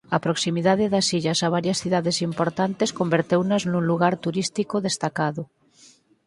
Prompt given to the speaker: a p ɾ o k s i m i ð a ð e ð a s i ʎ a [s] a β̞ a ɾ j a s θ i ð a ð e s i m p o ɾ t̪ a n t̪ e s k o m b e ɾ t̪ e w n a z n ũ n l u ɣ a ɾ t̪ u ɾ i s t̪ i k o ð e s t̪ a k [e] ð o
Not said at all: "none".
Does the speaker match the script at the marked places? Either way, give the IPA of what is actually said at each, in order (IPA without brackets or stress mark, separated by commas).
s, a